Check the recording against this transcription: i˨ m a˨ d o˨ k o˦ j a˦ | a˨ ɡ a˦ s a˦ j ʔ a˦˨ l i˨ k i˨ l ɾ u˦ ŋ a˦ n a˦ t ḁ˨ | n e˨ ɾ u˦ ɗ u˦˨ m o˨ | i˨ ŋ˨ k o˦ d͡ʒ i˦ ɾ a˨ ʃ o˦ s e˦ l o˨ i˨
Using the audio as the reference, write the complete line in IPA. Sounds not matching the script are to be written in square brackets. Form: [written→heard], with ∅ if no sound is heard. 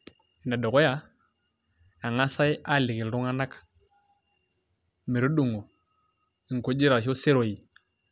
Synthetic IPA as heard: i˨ [m→n] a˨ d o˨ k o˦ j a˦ | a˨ [ɡ→ŋ] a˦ s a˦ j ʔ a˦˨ l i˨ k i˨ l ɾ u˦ ŋ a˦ n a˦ [t→k] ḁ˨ | [n→m] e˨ ɾ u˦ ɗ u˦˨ [m→ŋ] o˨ | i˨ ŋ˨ k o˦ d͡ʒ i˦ ɾ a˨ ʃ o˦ s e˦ [l→ɾ] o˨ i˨